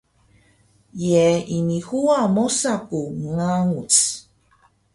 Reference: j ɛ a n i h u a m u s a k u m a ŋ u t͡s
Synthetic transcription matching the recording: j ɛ i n i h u a m o s a k u ŋ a ŋ u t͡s